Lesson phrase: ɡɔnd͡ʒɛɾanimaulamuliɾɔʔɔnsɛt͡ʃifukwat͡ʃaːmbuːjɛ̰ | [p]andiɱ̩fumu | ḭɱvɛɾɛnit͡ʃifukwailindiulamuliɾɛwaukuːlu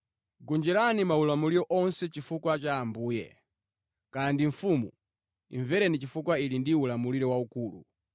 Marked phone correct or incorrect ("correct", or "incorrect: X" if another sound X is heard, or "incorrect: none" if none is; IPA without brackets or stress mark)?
incorrect: k